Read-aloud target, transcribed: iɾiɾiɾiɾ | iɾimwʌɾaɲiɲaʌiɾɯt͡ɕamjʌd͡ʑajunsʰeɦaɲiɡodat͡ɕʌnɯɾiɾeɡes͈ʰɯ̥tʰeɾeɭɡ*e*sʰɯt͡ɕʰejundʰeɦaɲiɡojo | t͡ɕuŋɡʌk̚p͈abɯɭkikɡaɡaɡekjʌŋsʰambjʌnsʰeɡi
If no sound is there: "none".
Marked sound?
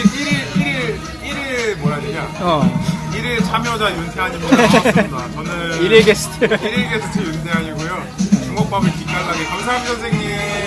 e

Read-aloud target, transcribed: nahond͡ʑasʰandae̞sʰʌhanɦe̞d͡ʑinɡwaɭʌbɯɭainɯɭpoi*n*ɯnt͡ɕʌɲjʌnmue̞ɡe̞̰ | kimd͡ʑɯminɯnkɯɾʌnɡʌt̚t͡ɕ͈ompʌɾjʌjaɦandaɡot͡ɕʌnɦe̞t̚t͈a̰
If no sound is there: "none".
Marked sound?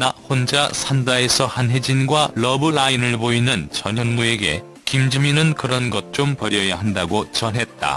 n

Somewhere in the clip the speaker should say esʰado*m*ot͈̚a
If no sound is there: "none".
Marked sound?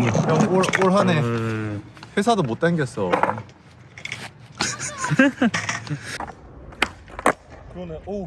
m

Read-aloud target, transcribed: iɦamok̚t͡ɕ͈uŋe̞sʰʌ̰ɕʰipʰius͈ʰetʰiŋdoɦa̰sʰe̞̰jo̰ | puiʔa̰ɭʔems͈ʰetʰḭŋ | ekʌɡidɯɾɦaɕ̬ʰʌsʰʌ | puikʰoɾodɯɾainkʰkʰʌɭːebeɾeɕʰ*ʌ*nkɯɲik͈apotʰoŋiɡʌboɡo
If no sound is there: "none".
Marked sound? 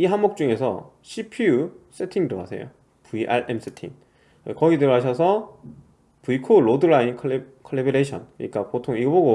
ʌ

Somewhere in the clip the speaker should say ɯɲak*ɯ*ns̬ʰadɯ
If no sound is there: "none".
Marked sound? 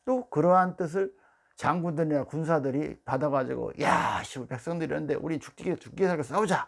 u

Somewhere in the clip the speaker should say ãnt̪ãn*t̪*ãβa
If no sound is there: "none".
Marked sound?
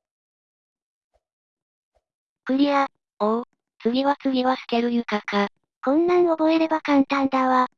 d̪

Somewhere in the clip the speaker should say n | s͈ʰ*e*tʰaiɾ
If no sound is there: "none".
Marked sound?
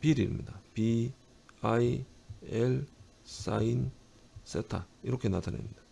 e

